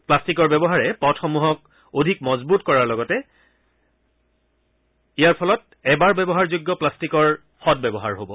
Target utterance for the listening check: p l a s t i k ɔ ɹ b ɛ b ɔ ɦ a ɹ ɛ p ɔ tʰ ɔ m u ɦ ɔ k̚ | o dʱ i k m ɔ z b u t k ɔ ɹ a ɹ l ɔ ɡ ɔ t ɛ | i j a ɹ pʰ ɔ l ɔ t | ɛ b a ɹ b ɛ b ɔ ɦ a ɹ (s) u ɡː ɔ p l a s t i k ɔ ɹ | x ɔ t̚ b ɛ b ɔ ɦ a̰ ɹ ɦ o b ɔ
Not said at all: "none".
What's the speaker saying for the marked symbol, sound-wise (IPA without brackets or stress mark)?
z